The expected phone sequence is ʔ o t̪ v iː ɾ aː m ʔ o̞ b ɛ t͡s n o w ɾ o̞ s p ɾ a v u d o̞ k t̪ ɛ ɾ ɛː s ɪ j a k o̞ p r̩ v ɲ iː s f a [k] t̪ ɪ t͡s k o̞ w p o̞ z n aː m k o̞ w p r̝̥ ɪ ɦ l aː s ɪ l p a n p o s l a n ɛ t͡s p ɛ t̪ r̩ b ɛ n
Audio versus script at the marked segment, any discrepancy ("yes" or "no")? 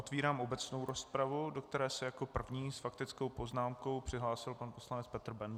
no